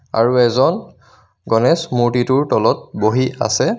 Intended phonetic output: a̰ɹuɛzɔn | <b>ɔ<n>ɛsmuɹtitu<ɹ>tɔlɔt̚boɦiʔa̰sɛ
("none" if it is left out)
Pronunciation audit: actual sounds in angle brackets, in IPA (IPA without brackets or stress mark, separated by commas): ɡ, n, ɹ